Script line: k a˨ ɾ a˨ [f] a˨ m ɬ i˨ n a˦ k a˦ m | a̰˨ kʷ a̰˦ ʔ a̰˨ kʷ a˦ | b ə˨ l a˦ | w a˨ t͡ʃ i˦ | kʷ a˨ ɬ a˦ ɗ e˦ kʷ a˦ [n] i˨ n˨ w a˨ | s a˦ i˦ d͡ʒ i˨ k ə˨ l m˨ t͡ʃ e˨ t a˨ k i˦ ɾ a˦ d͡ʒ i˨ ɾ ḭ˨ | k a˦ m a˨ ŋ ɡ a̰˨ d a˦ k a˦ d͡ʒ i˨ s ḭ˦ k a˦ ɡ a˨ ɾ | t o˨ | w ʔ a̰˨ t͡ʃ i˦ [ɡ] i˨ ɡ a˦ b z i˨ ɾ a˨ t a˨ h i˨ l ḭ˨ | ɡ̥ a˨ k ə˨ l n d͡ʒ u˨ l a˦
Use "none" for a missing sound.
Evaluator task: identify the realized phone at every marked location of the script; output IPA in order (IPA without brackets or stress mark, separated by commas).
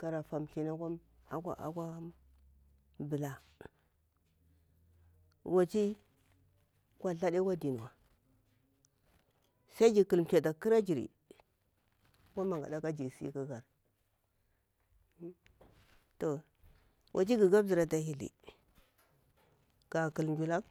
f, d, ɡ